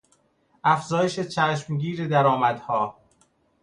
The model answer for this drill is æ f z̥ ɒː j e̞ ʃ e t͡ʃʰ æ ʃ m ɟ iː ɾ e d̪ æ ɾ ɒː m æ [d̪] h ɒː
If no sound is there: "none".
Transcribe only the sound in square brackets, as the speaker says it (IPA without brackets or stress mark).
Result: d̪